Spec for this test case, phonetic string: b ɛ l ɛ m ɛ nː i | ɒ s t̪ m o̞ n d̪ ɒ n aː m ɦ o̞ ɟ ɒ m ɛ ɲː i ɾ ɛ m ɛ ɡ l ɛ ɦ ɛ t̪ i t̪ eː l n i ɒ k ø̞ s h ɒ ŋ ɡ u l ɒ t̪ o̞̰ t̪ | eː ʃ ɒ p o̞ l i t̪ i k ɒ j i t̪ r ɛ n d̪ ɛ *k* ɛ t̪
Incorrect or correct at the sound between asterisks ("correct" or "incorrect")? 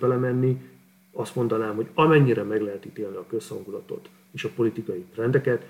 correct